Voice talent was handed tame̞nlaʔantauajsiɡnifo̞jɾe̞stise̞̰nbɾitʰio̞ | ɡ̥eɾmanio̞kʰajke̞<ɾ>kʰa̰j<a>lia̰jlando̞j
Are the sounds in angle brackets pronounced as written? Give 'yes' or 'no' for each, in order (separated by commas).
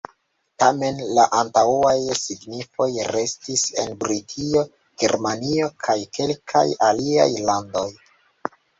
no, yes